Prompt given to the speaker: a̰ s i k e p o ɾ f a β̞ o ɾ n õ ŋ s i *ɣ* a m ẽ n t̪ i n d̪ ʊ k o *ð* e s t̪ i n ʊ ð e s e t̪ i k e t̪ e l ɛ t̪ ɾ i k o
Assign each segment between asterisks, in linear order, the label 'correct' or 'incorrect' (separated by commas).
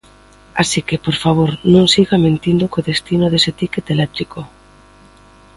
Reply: correct, correct